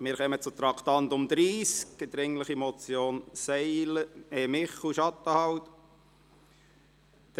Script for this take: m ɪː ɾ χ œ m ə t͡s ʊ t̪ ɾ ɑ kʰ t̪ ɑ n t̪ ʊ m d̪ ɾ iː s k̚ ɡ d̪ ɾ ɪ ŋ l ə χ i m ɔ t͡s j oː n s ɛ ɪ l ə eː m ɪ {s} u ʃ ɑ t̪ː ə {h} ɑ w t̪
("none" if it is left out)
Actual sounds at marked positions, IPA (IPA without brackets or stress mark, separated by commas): χ, h